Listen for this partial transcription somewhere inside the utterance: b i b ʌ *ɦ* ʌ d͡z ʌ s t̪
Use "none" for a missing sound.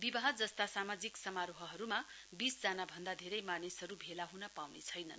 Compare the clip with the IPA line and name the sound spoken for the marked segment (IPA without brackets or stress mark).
ɦ